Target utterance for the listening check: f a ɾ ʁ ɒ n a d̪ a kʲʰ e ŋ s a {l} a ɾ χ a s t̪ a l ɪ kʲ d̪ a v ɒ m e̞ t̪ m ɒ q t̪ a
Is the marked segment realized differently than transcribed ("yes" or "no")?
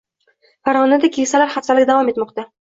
no